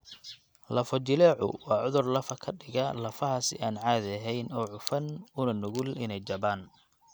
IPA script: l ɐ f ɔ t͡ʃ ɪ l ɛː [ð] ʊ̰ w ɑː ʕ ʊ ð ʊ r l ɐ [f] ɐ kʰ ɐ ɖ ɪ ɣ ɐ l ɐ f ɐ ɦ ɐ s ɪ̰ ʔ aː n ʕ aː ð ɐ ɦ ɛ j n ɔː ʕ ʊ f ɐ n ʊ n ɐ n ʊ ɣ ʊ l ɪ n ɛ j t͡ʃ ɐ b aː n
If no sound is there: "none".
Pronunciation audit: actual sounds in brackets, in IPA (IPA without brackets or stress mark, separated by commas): ʕ, f